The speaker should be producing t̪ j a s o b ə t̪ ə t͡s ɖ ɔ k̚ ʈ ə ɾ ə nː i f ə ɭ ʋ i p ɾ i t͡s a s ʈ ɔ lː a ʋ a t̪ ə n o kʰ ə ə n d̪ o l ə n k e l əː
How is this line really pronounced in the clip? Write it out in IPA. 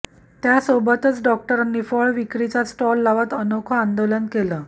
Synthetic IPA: t̪ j a s o b ə t̪ ə t͡s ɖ ɔ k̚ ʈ ə ɾ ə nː i f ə ɭ ʋ i k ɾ i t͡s a s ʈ ɔ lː a ʋ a t̪ ə n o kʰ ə a n d̪ o l ə n k e l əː